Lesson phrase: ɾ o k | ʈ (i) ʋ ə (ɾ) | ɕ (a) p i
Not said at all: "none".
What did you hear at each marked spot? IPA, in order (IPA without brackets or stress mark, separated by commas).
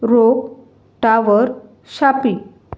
a, ɾ, a